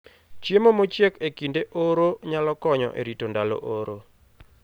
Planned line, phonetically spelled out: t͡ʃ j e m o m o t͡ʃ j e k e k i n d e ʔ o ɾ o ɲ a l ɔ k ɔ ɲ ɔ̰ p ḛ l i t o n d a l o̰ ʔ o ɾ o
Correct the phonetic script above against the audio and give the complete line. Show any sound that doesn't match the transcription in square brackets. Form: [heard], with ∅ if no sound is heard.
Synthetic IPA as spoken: t͡ʃ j e m o m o t͡ʃ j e k e k i n d e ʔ o ɾ o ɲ a l ɔ k ɔ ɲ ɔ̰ [ʔ] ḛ [ɾ] i t o n d a l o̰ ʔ o ɾ o